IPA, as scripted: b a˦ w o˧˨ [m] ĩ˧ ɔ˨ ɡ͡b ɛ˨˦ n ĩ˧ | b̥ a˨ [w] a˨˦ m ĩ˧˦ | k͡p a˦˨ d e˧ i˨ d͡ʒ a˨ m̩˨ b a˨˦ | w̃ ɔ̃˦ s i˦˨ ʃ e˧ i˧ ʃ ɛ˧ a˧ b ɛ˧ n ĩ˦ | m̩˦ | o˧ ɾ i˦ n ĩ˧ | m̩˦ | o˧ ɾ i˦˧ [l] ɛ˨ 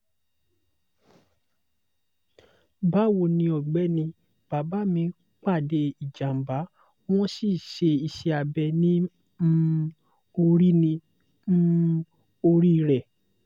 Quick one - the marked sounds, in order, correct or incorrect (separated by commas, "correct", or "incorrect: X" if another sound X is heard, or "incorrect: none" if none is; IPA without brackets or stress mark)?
incorrect: n, incorrect: b, incorrect: ɾ